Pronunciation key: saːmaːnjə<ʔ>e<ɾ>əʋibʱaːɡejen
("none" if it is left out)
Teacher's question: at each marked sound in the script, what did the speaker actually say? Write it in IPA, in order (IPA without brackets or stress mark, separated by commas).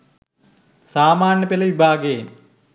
p, l